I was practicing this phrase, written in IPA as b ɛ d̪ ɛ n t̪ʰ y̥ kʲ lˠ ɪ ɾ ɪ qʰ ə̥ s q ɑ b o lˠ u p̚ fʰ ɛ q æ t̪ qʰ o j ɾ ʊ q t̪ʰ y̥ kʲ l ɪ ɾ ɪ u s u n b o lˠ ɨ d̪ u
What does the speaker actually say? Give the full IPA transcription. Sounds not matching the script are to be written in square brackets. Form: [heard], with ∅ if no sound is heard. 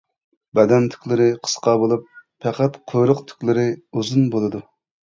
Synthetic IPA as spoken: b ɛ d̪ ɛ n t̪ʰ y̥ kʲ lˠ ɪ ɾ ɪ qʰ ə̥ s q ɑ b o lˠ u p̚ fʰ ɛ q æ t̪ qʰ o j ɾ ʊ q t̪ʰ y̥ kʲ l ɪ ɾ ɪ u [z] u n b o lˠ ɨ d̪ u